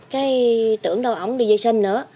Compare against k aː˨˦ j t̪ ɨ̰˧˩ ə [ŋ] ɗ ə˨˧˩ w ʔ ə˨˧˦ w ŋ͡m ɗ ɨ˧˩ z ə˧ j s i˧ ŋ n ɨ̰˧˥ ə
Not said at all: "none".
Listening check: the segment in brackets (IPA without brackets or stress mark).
ŋ